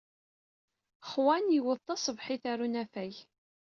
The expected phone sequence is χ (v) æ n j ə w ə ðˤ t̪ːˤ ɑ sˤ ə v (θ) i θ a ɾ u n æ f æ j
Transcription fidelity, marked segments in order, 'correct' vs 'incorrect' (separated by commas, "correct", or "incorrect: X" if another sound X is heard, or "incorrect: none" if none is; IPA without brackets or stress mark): incorrect: w, incorrect: ħ